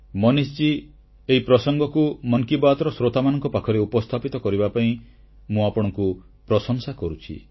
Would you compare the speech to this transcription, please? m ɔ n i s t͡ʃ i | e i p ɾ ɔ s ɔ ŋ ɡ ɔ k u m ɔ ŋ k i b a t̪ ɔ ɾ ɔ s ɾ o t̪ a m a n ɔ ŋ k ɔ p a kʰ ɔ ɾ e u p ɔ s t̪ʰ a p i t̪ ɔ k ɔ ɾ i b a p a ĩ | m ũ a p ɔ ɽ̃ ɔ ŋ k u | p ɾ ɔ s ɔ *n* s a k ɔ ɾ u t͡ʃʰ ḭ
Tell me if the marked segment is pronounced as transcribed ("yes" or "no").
no